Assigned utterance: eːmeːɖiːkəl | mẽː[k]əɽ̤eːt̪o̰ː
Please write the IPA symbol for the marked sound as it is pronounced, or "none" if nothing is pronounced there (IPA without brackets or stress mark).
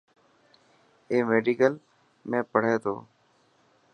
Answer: p